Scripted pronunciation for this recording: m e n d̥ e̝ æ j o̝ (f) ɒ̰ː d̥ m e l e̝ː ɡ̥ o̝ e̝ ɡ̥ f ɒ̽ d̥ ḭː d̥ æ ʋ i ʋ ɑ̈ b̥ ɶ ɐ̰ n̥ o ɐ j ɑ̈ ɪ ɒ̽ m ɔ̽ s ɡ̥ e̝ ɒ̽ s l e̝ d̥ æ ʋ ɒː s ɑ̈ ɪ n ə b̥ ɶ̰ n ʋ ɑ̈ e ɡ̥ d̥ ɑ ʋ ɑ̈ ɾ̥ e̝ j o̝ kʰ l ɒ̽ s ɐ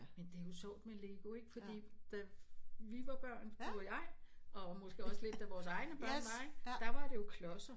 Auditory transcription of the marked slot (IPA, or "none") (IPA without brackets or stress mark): s